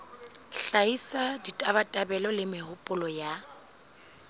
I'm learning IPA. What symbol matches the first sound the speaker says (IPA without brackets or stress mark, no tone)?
ɬ